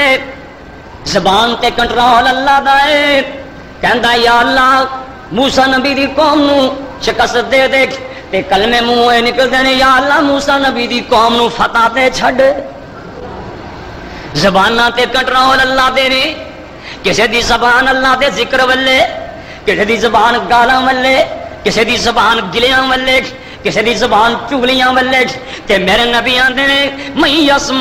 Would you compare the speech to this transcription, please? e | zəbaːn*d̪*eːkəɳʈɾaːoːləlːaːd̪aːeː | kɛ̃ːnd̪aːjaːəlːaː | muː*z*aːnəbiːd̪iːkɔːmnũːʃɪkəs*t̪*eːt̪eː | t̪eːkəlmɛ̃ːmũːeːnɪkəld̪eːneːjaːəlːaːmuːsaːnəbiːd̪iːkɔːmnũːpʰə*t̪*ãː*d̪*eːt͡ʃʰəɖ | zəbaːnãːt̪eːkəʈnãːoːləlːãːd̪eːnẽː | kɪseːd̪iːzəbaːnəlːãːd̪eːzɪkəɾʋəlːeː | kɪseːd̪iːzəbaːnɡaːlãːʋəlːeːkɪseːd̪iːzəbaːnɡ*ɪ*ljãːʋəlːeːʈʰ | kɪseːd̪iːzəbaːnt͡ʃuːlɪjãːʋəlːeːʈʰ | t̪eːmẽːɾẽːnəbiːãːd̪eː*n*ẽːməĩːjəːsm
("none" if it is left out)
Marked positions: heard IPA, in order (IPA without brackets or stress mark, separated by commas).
t̪, s, d̪, t̪, t̪, ɪ, n